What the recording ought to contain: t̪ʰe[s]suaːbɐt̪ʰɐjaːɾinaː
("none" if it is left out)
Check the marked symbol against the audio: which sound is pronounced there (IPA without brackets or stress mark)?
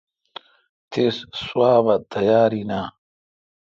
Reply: s